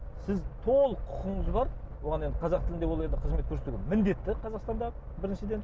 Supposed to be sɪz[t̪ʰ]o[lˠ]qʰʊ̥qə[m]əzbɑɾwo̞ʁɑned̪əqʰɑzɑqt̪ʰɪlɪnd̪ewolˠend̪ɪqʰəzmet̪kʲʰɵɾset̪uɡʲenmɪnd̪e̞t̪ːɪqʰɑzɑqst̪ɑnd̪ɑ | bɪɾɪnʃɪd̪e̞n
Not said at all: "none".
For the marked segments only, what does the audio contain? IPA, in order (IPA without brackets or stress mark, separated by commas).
t̪ʰ, lˠ, ɴ